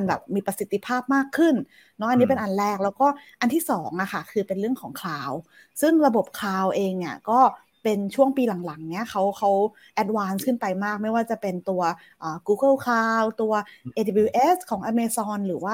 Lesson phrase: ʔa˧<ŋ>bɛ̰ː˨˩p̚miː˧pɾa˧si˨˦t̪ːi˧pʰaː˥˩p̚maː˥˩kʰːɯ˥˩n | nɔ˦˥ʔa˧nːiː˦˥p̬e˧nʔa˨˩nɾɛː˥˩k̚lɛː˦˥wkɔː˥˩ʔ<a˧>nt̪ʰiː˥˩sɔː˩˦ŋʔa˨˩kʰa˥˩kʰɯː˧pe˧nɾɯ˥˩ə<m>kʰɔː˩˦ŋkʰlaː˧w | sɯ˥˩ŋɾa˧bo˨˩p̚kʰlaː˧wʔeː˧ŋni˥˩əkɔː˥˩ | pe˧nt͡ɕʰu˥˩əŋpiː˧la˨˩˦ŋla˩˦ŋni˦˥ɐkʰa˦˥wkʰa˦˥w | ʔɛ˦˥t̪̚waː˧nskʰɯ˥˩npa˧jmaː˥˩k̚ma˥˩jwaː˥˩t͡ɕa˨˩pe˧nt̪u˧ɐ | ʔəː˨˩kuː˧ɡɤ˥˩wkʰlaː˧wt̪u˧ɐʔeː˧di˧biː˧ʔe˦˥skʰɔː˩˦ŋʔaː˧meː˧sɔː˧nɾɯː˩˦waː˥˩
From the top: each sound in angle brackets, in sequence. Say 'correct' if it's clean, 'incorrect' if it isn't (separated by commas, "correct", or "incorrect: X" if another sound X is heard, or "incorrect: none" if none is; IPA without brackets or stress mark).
incorrect: n, correct, incorrect: ŋ